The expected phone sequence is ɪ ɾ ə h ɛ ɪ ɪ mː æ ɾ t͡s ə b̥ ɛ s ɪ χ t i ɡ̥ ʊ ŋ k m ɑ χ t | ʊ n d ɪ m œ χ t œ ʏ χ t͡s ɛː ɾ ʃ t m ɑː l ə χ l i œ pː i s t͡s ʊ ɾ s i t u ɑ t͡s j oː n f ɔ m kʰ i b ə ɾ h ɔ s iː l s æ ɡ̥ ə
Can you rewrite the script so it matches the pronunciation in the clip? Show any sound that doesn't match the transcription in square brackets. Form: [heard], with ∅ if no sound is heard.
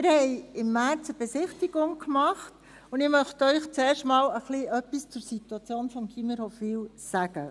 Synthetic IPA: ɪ ɾ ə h ɛ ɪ ɪ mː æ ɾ t͡s ə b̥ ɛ s ɪ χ t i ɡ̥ ʊ ŋ k m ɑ χ t | ʊ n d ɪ m œ χ t œ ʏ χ t͡s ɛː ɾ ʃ t m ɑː l ə χ l i œ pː i s t͡s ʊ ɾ s i t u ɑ t͡s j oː n f ɔ m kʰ i [m] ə ɾ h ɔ [f] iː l s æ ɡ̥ ə

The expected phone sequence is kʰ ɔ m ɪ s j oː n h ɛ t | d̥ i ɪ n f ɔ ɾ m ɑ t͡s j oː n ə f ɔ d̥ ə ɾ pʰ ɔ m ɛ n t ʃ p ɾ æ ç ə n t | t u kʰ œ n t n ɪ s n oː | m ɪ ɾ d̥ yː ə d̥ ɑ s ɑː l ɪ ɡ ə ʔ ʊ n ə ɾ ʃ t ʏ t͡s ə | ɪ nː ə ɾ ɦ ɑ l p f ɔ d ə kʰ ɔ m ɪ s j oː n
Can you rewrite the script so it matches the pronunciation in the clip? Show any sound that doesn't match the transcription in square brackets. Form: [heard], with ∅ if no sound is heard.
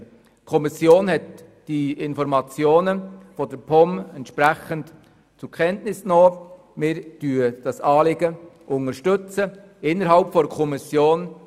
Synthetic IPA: kʰ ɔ m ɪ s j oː n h ɛ t | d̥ i ɪ n f ɔ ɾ m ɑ t͡s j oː n ə f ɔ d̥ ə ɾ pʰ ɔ m ɛ n t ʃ p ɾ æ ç ə n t | [t͡s] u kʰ [ɛ] n t n ɪ s n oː | m ɪ ɾ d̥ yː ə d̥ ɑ s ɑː l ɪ ɡ ə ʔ ʊ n ə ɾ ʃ t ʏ t͡s ə | ɪ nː ə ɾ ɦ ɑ l p f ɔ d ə kʰ ɔ m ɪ s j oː n

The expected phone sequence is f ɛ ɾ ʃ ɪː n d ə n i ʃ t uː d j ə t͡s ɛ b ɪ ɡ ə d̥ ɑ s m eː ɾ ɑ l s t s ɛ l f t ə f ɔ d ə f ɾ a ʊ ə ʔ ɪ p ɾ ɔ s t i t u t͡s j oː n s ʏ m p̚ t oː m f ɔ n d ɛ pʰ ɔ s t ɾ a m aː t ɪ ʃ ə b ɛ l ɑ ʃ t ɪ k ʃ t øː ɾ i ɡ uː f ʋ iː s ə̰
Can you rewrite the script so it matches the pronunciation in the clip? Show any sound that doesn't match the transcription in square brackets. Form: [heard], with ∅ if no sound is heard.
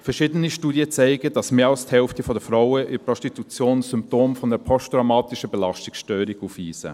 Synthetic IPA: f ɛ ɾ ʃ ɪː [∅] d ə n i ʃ t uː d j ə t͡s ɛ [∅] ɪ ɡ ə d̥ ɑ s m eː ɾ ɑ l s t [h] ɛ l f t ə f ɔ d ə f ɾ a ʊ ə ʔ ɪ p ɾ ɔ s t i t u t͡s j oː n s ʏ m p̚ t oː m f ɔ n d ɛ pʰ ɔ s t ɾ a m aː t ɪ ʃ ə b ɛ l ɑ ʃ t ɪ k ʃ t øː ɾ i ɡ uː f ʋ iː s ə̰

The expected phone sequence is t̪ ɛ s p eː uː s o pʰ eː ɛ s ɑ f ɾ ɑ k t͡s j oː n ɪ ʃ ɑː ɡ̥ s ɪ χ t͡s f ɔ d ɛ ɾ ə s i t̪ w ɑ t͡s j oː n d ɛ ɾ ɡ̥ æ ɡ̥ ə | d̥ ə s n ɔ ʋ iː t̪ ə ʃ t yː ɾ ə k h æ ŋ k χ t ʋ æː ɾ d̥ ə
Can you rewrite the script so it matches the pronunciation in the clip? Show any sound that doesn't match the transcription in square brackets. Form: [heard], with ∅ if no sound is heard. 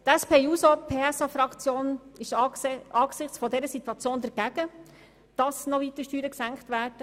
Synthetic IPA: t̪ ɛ s p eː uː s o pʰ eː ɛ s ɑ f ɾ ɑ k t͡s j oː n ɪ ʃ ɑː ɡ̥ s ɪ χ t͡s f ɔ d ɛ ɾ ə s i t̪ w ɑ t͡s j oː n d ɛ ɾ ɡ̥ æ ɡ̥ ə | d̥ [ɑ] s n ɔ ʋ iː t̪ ə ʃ t yː ɾ ə k [s] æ ŋ k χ t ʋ æː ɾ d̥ ə

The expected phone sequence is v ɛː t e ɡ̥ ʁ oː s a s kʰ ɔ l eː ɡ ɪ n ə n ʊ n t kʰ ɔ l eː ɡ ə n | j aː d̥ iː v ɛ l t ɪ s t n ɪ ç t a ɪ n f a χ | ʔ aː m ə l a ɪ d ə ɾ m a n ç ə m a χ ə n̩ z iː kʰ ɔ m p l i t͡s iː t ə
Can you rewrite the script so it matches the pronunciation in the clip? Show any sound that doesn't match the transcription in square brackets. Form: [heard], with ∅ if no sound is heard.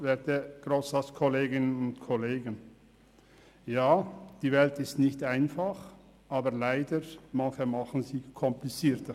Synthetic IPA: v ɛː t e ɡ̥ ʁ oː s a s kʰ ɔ l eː ɡ ɪ n ə n ʊ n t kʰ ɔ l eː ɡ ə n | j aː d̥ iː v ɛ l t ɪ s t n ɪ ç t a ɪ n f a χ | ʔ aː [b] ə l a ɪ d ə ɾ m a n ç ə m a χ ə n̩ z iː kʰ ɔ m p l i t͡s iː t ə

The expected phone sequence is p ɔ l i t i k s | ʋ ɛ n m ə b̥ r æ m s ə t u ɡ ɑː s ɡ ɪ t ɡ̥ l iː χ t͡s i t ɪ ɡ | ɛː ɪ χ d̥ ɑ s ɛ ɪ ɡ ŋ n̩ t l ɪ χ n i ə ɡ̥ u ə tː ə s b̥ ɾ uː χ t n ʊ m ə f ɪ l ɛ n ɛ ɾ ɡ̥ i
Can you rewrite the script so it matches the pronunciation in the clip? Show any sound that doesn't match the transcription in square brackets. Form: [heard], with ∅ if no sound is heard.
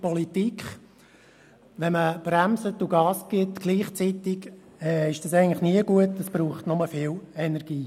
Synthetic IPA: p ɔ l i t i k [χ] | ʋ ɛ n m ə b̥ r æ m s ə t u ɡ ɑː s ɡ ɪ t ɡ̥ l iː χ t͡s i t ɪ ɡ | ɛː ɪ [ʃ] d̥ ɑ s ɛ ɪ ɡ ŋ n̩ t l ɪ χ n i ə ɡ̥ u ə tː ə s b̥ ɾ uː χ t n ʊ m ə f ɪ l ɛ n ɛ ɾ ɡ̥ [iː]

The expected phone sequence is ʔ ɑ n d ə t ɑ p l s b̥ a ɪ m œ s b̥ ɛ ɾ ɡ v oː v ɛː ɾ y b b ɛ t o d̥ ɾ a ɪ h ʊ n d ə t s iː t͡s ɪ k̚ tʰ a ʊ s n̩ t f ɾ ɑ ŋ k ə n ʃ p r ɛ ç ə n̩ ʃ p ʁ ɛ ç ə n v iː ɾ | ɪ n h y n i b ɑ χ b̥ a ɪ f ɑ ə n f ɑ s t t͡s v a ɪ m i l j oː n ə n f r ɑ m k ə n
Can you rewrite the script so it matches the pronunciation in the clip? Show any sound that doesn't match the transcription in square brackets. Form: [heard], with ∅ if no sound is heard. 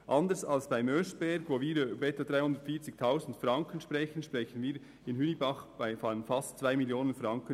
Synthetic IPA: ʔ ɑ n d ə [s] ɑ [∅] l s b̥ a ɪ m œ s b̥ ɛ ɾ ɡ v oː v [iː] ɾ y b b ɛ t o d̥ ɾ a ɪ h ʊ n d ə t [f] iː t͡s ɪ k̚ tʰ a ʊ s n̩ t f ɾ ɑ ŋ k ə n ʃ p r ɛ ç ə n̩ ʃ p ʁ ɛ ç ə n v iː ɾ | ɪ n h y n i b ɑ χ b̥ a ɪ f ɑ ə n f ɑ s t t͡s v a ɪ m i l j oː n ə n f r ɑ [ŋ] k ə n

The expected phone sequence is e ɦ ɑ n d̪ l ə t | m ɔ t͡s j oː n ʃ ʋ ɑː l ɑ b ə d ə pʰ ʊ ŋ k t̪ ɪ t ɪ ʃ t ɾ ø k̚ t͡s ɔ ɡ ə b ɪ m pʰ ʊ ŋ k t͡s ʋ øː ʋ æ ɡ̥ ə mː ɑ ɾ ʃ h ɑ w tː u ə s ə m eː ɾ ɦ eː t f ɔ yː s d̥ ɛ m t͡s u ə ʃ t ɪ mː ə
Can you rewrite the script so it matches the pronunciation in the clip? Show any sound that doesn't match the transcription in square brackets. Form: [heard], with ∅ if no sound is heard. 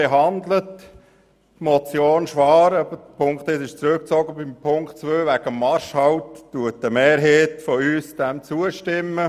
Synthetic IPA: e ɦ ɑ n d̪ l ə t | m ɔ t͡s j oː n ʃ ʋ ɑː [ɾ] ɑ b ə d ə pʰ ʊ ŋ k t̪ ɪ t ɪ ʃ [t͡s] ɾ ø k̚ t͡s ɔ ɡ ə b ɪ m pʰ ʊ ŋ k t͡s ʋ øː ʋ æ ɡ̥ ə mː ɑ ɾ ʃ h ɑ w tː u ə [t] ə m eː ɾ ɦ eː t f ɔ yː s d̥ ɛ m t͡s u ə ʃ t ɪ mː ə

